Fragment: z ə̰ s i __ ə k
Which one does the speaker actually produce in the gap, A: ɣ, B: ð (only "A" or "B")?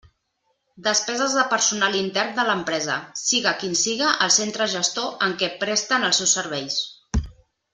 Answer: A